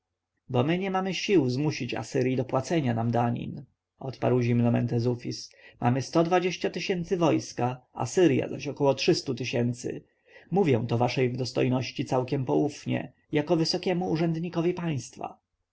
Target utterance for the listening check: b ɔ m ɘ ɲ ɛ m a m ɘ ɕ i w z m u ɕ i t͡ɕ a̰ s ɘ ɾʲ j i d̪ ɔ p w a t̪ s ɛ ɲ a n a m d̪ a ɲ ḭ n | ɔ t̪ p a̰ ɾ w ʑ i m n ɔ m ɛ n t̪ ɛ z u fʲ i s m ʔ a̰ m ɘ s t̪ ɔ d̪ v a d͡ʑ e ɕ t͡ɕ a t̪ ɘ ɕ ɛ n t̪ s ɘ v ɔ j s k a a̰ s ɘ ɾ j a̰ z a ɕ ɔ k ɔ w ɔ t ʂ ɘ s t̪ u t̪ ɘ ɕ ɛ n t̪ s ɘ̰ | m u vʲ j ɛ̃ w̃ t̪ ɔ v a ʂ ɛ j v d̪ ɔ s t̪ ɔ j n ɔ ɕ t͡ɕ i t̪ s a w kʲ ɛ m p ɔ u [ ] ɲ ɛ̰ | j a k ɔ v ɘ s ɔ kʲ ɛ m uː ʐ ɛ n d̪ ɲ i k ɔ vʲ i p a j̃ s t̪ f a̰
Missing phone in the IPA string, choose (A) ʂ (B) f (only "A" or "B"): B